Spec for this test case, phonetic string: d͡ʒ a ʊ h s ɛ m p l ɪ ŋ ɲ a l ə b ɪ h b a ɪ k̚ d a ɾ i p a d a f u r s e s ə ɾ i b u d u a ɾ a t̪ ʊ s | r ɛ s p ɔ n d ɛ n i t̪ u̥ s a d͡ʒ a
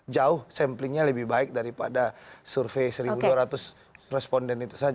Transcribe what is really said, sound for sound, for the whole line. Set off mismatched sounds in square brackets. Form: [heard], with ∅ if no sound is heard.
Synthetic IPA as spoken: d͡ʒ a ʊ h s ɛ m p l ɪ ŋ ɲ a l ə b ɪ h b a ɪ k̚ d a ɾ i p a d a [s] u r [f] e s ə ɾ i b u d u a ɾ a t̪ ʊ s | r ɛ s p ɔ n d ɛ n i t̪ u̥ s a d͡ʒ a